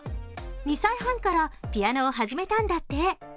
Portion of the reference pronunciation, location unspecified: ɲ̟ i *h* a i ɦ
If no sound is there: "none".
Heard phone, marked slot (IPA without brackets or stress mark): s